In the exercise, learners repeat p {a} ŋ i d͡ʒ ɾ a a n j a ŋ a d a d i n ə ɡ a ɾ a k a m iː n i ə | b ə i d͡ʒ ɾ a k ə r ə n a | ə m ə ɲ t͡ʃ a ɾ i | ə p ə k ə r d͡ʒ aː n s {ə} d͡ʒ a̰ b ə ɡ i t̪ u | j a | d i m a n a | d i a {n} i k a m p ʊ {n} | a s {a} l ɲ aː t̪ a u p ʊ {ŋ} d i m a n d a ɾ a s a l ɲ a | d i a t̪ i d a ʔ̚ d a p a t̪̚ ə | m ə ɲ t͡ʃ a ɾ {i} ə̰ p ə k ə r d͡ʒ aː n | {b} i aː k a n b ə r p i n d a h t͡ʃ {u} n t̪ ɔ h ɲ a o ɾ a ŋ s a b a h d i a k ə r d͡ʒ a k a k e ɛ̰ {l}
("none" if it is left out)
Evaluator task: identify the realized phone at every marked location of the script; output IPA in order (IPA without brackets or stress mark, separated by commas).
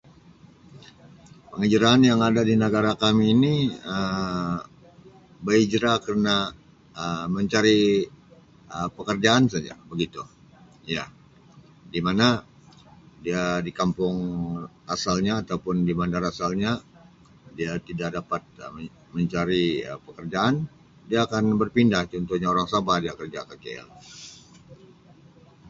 ə, a, d, ŋ, a, n, i, d, ɔ, l